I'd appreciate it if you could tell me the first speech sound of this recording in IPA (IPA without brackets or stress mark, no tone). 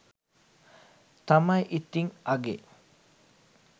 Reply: t̪